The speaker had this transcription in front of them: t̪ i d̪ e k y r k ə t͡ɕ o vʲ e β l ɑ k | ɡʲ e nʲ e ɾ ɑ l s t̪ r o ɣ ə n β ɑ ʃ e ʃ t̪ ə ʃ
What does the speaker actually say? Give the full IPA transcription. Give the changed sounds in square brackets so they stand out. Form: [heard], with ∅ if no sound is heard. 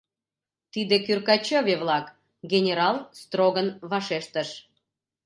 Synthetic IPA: t̪ i d̪ e k y r k [ɑ] t͡ɕ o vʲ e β l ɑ k | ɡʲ e nʲ e ɾ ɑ l s t̪ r o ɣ ə n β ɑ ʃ e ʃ t̪ ə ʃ